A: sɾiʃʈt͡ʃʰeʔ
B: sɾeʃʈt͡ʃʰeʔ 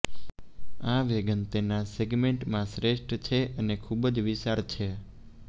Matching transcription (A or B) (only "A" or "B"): B